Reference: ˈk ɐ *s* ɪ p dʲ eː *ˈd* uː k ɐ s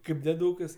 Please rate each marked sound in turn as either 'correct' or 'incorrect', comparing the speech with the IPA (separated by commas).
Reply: incorrect, correct